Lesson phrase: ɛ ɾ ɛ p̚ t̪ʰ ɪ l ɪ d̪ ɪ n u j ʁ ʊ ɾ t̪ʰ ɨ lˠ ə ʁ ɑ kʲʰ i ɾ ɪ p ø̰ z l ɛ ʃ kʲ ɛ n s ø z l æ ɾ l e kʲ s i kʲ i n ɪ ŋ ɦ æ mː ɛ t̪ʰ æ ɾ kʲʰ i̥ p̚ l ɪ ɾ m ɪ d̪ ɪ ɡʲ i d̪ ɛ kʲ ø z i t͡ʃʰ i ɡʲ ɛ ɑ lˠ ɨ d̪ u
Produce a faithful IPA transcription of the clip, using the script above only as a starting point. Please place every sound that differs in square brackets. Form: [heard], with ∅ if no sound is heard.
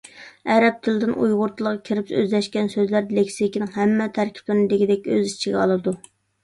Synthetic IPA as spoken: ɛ ɾ ɛ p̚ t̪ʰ ɪ l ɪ d̪ ɪ n u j ʁ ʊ ɾ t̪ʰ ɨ lˠ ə ʁ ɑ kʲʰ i ɾ ɪ p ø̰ z l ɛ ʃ kʲ ɛ n s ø z l æ ɾ l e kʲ s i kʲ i n ɪ ŋ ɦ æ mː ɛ t̪ʰ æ ɾ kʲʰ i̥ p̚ l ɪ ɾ [n] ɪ d̪ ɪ ɡʲ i d̪ ɛ kʲ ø z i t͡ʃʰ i ɡʲ ɛ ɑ lˠ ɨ d̪ u